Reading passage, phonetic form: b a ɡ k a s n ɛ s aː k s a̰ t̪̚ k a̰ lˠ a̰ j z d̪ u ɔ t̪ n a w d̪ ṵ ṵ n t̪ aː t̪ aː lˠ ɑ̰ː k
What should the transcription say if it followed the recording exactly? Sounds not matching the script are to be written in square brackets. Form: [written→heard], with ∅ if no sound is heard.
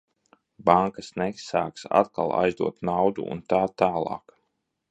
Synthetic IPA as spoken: b a [ɡ→ŋ] k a s n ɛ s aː k s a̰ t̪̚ k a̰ lˠ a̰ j z d̪ u ɔ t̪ n a w d̪ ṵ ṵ n t̪ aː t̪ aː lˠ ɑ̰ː k

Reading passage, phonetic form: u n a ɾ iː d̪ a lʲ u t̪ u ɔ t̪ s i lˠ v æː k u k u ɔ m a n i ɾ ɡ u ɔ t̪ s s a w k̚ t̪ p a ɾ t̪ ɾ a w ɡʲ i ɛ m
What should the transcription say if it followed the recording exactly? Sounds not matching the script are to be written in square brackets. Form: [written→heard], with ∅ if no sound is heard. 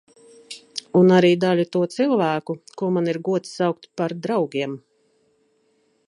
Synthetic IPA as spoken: u n a ɾ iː d̪ a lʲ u t̪ u ɔ t̪ s i lˠ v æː k u k u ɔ m a n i ɾ ɡ u ɔ t̪ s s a w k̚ t̪ p a ɾ [t̪→d̪] ɾ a w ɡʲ i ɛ m

